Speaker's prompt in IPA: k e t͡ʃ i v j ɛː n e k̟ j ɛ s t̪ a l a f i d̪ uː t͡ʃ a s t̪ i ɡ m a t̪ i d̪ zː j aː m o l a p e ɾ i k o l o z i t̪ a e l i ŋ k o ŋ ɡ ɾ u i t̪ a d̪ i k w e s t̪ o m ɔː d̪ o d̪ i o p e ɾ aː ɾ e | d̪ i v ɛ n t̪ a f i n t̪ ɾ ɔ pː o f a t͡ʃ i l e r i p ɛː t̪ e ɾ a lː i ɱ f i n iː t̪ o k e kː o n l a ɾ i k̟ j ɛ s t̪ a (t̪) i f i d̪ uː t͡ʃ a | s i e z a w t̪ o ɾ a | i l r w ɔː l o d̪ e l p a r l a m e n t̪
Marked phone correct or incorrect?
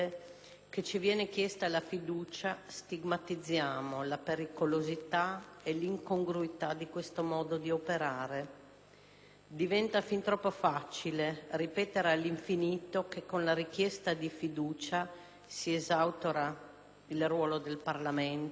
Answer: incorrect